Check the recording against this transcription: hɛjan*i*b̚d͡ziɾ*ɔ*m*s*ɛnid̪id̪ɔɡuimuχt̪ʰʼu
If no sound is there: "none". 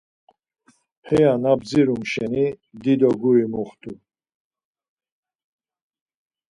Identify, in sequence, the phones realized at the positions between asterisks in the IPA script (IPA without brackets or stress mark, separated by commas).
a, u, ʃ